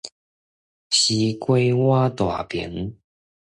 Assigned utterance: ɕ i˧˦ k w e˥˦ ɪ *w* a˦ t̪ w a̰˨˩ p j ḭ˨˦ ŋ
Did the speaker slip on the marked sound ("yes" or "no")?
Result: no